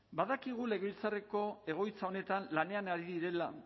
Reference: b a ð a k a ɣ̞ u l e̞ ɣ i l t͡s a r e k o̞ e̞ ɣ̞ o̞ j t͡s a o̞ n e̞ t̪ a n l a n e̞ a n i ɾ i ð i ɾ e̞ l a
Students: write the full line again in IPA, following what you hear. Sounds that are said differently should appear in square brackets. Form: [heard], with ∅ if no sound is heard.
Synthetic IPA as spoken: b a ð a k [i] ɣ̞ u l e̞ ɣ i l t͡s a r e k o̞ e̞ ɣ̞ o̞ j t͡s a o̞ n e̞ t̪ a n l a n e̞ a n [a] ɾ i ð i ɾ e̞ l a